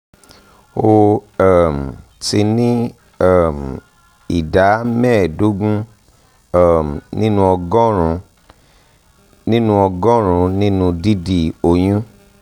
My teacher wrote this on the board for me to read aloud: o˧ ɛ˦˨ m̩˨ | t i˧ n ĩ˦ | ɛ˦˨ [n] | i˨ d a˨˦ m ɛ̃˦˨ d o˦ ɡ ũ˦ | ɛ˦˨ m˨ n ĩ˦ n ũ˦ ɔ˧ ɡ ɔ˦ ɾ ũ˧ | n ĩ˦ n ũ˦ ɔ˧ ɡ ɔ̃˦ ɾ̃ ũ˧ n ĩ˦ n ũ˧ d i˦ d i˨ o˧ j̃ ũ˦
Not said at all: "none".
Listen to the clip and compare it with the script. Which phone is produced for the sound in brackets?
m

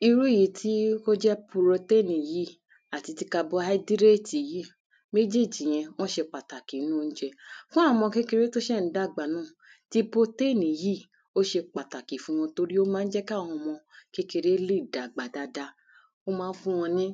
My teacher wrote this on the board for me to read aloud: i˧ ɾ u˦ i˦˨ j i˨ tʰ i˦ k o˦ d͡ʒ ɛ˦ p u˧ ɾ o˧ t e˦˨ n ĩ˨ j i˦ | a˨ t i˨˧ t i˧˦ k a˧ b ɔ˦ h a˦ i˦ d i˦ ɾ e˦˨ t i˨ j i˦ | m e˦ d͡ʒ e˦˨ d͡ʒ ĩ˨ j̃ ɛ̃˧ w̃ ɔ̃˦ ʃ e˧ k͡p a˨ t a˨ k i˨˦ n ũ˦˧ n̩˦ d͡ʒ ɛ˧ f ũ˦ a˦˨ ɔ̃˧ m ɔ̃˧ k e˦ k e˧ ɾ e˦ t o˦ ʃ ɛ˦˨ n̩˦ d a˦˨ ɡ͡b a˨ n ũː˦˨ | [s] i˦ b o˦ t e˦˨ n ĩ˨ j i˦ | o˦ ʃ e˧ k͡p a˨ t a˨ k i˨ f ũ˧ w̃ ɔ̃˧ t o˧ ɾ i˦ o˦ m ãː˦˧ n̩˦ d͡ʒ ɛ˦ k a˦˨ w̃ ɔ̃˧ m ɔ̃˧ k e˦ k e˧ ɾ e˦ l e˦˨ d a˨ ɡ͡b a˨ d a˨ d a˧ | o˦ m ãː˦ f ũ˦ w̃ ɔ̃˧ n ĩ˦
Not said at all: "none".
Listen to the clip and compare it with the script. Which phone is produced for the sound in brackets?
t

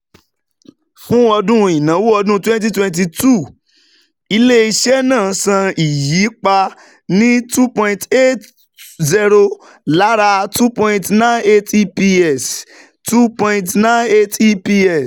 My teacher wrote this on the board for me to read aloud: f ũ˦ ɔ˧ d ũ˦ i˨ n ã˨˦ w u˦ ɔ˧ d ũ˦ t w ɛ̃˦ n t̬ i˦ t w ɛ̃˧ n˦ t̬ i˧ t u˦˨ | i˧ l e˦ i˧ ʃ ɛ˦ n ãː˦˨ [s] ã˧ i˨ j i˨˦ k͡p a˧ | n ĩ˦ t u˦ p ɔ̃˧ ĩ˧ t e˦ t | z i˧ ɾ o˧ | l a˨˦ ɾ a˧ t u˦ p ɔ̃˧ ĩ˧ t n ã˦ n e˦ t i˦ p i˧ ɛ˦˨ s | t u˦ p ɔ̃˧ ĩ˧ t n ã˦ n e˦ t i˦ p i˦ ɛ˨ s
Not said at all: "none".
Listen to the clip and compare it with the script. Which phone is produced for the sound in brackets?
s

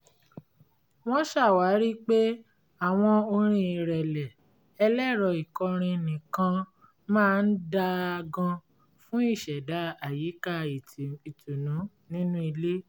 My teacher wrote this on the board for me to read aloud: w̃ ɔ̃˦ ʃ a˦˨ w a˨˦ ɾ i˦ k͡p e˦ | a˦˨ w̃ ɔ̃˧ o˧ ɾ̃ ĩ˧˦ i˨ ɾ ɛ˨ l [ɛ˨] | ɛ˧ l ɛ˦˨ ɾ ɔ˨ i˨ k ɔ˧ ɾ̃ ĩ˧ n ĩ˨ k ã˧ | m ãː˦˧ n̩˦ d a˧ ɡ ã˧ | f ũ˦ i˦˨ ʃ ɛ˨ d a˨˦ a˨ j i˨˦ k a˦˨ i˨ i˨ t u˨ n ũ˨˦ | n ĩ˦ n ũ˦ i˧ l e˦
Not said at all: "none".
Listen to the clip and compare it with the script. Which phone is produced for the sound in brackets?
ɛ˨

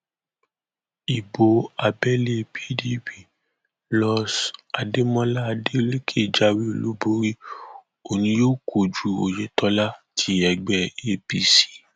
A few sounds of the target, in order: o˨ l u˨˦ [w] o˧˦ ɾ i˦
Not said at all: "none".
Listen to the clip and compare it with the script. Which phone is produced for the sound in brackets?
b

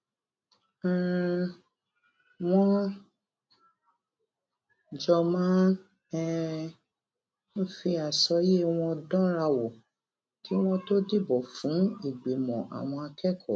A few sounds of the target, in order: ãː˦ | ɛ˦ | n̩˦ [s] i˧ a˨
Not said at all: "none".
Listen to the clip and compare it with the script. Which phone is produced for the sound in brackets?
f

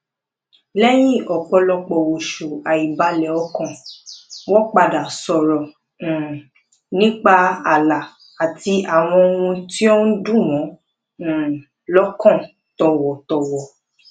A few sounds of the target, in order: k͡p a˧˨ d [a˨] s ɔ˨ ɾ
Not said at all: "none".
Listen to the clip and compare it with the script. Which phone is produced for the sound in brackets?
a˨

